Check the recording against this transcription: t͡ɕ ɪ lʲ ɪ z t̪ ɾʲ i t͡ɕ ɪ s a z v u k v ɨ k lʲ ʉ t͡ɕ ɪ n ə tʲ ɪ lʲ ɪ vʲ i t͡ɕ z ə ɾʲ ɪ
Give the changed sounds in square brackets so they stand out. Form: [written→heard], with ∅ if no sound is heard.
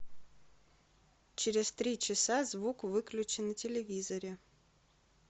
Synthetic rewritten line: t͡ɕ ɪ [lʲ→ɾʲ] ɪ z t̪ ɾʲ i t͡ɕ ɪ s a z v u k v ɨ k lʲ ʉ t͡ɕ ɪ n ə tʲ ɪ lʲ ɪ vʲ i [t͡ɕ→∅] z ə ɾʲ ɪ